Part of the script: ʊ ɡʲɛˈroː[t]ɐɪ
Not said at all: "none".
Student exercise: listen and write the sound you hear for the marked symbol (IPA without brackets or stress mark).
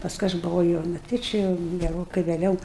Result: k